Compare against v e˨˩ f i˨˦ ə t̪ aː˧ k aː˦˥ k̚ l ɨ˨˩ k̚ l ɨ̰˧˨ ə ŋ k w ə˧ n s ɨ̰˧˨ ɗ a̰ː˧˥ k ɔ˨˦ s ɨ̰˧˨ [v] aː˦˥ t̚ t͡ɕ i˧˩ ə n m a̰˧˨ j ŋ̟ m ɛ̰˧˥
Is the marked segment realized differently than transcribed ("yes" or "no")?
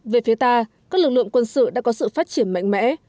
yes